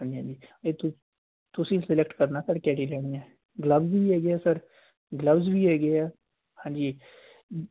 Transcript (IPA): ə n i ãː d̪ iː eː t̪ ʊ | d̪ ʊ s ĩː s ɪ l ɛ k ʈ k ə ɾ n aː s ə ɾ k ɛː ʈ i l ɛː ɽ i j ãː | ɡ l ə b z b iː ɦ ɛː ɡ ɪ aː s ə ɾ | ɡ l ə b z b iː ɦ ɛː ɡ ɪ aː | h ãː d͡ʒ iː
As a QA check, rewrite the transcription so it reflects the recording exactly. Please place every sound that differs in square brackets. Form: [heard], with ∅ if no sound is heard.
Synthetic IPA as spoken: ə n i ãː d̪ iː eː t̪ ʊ | [t̪] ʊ s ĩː s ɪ l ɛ k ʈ k ə ɾ n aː s ə ɾ k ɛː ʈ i l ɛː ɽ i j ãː | ɡ l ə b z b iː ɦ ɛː ɡ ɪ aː s ə ɾ | ɡ l ə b z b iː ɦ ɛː ɡ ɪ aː | h ãː d͡ʒ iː